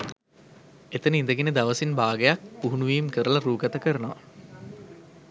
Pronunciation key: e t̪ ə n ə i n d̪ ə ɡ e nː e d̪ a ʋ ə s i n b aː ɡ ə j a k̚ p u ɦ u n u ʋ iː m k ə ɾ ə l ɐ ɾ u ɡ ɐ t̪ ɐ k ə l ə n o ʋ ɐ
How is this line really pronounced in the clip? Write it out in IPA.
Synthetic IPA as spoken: e t̪ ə n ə i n d̪ ə ɡ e n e d̪ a ʋ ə s i n b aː ɡ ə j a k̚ p u ɦ u n u ʋ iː m k ə ɾ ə l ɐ ɾ uː ɡ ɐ t̪ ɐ k ə ɾ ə n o ʋ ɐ